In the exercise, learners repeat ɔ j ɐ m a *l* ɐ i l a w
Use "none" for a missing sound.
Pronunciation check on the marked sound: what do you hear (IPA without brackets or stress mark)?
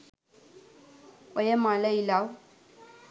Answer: l